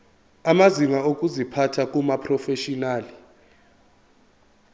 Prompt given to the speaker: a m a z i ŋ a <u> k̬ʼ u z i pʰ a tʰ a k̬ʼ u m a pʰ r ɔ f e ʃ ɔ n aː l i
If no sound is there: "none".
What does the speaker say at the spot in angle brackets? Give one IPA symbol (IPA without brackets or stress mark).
o